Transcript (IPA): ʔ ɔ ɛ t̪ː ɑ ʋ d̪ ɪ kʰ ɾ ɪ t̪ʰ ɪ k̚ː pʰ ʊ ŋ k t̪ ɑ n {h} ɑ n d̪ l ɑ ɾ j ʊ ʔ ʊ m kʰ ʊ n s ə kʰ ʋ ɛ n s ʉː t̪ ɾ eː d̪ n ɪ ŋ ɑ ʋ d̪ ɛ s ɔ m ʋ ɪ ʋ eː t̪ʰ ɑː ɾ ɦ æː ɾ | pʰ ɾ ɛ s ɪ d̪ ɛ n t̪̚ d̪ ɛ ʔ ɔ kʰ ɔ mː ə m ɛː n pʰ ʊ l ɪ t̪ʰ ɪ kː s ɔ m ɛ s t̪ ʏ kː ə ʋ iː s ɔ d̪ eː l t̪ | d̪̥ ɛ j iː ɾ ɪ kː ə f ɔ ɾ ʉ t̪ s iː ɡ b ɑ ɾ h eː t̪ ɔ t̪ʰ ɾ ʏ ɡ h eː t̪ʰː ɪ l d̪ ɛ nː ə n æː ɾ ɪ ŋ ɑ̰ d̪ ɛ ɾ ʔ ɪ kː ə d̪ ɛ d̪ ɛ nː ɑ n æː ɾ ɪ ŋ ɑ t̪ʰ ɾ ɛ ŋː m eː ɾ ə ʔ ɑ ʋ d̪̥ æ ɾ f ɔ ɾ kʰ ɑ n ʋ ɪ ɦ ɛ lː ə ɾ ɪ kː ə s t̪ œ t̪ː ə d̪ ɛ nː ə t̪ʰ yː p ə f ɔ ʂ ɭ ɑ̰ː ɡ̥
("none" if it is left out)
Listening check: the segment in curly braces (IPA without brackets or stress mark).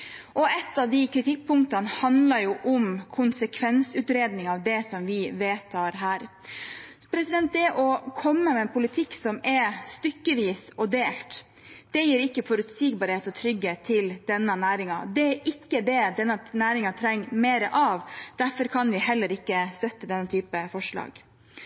h